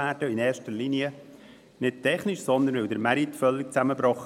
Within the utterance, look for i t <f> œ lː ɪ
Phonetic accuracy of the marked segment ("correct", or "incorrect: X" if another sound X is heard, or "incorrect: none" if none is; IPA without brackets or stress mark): correct